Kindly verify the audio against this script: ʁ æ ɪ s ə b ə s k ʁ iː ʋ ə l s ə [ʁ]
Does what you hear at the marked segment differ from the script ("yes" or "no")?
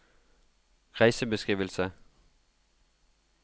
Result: yes